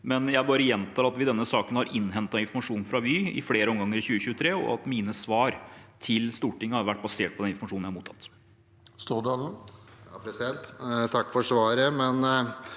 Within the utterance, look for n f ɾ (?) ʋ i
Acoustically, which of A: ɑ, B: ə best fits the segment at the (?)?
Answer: A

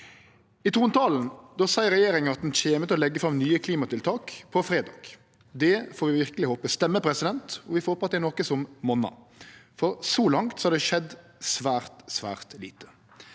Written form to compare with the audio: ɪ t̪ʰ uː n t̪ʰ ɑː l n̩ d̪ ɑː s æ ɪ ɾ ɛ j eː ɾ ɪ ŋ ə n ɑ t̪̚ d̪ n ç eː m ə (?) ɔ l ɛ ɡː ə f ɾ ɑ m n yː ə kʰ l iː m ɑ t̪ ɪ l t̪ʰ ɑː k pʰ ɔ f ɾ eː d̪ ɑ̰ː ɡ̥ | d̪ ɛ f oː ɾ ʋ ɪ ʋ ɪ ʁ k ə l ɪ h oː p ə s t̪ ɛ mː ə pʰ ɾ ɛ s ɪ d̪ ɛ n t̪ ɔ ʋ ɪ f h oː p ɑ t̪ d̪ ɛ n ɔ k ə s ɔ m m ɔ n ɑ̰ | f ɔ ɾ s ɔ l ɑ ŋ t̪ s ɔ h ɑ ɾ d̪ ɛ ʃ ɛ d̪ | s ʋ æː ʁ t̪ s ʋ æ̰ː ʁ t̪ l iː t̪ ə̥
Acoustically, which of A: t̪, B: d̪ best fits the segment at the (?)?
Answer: A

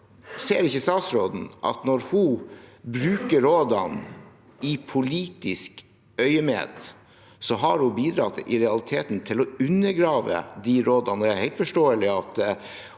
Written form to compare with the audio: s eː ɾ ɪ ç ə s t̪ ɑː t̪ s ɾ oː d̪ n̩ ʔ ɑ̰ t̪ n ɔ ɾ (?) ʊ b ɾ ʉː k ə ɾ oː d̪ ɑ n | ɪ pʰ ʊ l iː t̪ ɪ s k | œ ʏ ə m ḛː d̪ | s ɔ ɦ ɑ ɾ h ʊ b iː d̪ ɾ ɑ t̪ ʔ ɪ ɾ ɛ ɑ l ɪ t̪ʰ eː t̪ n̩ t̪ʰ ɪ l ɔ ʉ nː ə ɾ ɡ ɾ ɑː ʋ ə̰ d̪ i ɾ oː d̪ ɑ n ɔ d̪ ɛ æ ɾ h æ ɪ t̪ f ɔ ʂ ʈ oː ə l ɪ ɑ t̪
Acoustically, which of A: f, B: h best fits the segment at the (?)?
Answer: B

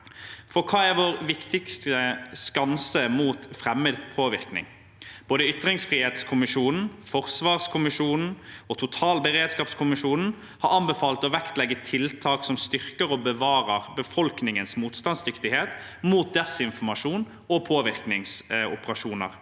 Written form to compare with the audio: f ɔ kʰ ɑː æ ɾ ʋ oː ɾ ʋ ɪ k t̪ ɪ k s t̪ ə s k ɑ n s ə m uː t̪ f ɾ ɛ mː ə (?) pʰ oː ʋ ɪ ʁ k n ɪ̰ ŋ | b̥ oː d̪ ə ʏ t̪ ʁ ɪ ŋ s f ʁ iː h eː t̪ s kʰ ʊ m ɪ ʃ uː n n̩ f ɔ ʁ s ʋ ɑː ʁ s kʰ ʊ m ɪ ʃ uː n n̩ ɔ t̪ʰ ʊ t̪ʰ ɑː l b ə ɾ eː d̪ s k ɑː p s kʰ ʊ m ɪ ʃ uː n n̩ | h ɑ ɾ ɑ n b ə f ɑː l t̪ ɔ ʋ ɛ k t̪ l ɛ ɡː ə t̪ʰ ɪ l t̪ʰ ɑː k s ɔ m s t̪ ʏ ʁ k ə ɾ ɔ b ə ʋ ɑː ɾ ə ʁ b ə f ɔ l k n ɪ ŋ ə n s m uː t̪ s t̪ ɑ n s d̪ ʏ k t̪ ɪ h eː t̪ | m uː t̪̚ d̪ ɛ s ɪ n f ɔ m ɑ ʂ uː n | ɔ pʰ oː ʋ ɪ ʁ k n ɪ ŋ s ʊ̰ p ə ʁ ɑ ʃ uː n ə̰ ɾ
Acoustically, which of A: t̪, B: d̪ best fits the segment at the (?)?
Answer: B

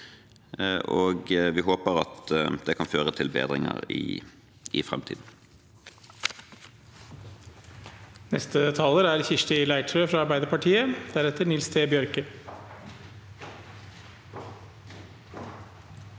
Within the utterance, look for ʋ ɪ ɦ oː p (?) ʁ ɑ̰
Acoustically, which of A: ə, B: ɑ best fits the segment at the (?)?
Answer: A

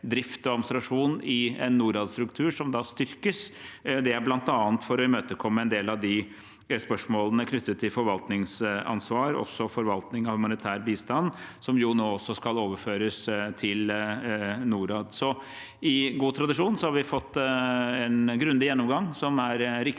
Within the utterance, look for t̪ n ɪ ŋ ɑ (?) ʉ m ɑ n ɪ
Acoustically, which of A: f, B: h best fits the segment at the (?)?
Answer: B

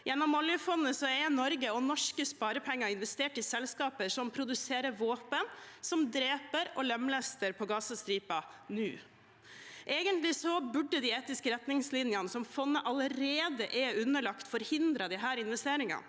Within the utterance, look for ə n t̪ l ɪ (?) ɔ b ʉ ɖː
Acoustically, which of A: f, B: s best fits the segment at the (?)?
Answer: B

